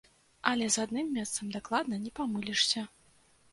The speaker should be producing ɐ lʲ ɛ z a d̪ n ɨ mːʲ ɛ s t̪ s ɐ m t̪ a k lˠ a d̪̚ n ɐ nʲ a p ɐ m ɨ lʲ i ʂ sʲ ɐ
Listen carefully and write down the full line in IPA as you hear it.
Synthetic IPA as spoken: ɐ lʲ ɛ z a d̪ n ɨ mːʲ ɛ s t̪ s ɐ m d̪ a k lˠ a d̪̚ n ɐ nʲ ɛ p a m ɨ lʲ i ʂ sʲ ɐ